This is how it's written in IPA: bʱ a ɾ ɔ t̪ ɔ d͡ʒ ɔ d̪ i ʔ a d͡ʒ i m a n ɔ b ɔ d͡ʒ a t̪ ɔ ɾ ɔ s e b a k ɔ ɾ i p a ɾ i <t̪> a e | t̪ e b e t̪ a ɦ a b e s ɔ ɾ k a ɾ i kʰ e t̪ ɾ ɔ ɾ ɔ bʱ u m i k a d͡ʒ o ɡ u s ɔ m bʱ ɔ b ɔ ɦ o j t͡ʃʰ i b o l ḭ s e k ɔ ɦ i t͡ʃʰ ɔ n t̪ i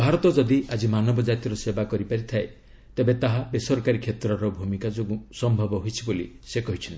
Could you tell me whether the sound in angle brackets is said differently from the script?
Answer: yes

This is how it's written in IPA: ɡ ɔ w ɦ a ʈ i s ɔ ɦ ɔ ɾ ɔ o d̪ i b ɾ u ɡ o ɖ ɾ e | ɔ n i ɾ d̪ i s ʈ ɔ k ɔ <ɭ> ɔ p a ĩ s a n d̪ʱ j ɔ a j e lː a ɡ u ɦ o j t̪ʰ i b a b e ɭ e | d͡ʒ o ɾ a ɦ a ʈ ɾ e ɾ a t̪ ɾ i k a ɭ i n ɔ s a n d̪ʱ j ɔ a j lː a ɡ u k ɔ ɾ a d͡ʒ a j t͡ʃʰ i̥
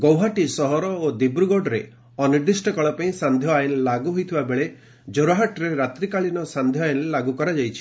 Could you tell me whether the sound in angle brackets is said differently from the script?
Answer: no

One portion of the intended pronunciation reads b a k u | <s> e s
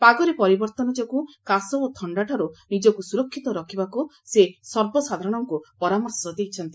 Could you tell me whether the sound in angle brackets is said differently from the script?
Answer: no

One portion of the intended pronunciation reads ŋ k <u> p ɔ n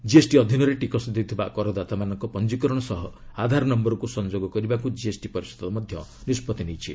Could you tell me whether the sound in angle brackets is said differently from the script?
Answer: yes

